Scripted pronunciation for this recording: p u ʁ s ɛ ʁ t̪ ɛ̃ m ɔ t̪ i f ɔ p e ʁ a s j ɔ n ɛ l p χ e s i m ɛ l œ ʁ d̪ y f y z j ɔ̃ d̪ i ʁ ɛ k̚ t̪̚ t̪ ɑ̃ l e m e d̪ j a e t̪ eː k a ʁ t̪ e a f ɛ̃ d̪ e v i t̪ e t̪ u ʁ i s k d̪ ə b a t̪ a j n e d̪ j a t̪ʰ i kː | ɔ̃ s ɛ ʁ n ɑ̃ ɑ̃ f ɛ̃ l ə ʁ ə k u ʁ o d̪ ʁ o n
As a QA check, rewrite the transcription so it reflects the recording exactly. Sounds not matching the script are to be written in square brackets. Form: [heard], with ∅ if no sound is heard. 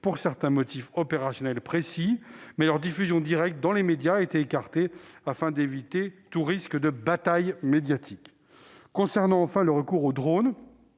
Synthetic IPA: p u ʁ s ɛ ʁ t̪ ɛ̃ m ɔ t̪ i f ɔ p e ʁ a s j ɔ n ɛ l p χ e s i m ɛ l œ ʁ d̪ [i] f y z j ɔ̃ d̪ i ʁ ɛ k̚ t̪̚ [d̪] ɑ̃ l e m e d̪ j a e t̪ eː k a ʁ t̪ e a f ɛ̃ d̪ e v i t̪ e t̪ u ʁ i s k d̪ ə b a t̪ a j [m] e d̪ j a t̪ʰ i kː | ɔ̃ s ɛ ʁ n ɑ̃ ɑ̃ f ɛ̃ l ə ʁ ə k u ʁ o d̪ ʁ o n